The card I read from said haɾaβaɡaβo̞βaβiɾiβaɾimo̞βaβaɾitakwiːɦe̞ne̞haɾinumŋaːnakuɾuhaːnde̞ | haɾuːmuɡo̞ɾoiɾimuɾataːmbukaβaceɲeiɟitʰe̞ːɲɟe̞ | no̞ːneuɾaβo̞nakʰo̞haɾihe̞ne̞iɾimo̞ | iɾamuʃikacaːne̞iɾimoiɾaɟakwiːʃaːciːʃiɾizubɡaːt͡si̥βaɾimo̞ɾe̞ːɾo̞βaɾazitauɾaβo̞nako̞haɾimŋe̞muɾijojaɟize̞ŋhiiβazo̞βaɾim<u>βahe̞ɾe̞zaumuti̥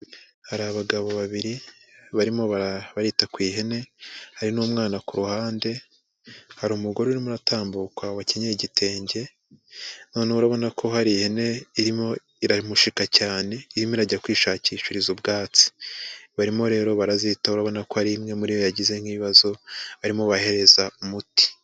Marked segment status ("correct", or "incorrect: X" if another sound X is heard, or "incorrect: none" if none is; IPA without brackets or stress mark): incorrect: o